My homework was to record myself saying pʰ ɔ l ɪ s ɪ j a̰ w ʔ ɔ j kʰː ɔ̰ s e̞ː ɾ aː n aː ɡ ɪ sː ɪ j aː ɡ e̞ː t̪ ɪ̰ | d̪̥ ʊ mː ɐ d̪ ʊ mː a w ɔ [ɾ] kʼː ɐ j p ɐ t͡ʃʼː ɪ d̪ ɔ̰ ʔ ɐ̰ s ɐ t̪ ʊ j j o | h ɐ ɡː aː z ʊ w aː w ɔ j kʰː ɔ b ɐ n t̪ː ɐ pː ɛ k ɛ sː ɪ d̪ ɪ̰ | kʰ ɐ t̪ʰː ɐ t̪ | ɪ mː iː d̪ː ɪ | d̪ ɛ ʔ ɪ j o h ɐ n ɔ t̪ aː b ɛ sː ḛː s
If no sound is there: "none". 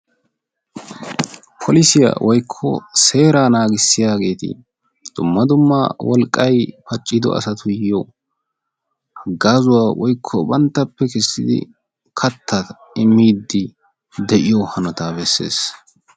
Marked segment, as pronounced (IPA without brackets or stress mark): l